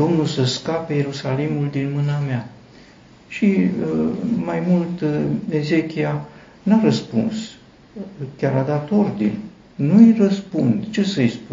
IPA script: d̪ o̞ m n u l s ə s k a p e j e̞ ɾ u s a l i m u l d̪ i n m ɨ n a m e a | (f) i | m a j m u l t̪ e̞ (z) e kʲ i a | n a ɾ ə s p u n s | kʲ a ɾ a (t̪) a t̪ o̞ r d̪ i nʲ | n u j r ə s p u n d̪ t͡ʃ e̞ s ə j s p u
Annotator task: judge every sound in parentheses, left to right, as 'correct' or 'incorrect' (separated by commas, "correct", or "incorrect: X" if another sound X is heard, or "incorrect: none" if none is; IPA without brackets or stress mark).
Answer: incorrect: ʃ, correct, incorrect: d̪